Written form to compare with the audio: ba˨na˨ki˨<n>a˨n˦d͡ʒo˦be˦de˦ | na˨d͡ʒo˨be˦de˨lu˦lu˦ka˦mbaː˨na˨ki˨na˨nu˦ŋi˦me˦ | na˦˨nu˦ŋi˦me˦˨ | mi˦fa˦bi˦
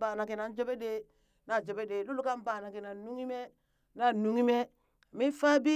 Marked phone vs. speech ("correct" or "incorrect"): correct